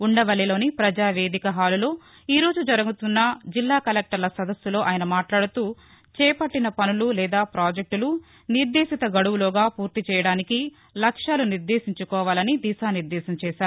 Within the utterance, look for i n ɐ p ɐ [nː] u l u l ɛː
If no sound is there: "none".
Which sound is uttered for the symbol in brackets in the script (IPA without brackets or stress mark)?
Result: n